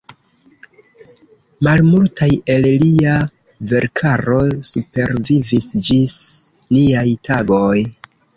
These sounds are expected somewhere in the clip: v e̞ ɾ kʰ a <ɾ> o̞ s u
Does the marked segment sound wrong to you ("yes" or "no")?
no